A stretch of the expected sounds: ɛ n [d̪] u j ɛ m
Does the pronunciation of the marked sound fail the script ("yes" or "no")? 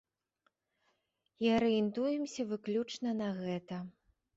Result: yes